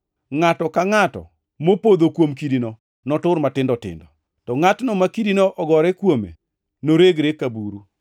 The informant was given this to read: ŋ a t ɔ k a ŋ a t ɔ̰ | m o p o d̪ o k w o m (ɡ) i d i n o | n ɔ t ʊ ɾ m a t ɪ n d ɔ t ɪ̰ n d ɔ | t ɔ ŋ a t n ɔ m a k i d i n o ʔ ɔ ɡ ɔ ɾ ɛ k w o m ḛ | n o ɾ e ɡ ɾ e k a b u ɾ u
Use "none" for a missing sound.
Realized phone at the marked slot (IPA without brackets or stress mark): k